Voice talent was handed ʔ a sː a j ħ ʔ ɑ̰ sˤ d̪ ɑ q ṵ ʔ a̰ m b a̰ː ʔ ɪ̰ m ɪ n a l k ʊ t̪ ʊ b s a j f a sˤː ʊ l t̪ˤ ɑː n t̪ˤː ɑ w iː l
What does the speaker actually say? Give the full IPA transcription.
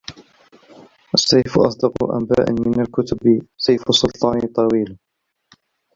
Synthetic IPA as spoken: ʔ a sː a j f ʔ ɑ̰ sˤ d̪ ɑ q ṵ ʔ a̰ m b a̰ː ʔ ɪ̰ m ɪ n a l k ʊ t̪ ʊ b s a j f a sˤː ʊ l t̪ˤ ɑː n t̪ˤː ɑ w iː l